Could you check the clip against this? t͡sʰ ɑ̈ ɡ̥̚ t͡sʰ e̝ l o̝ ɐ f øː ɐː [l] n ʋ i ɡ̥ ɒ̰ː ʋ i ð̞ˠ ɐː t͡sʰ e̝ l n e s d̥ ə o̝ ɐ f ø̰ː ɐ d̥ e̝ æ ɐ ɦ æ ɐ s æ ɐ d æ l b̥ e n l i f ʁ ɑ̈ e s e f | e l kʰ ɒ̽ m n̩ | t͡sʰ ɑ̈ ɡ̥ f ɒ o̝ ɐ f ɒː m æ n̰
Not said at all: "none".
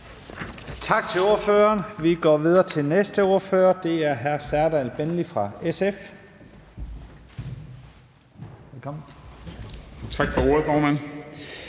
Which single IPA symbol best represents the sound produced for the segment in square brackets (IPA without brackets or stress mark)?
none